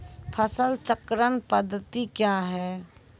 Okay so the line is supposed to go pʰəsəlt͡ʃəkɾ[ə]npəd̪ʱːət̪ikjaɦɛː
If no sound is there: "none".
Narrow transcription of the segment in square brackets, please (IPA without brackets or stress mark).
ə